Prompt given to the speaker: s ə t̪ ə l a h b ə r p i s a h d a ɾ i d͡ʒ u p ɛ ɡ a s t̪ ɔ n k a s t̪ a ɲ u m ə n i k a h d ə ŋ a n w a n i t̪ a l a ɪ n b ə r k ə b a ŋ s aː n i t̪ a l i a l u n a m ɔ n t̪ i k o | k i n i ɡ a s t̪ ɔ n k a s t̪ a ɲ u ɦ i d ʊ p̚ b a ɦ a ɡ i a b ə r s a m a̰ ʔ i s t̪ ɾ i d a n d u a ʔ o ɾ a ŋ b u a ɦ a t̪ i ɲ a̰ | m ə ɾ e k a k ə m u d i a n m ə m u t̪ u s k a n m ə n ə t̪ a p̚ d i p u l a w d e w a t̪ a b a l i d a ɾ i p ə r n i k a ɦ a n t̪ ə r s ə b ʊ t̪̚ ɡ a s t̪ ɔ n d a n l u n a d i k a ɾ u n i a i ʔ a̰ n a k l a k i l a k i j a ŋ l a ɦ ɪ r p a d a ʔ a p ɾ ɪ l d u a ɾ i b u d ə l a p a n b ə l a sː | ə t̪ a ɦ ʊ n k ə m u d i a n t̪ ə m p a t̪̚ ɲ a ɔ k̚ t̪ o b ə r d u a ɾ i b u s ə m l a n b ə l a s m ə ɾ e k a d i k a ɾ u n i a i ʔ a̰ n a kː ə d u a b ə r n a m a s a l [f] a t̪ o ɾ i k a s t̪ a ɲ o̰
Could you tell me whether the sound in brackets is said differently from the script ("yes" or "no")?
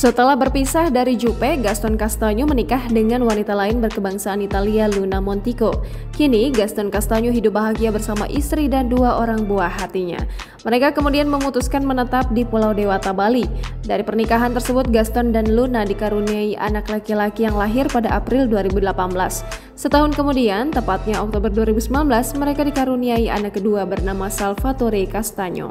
no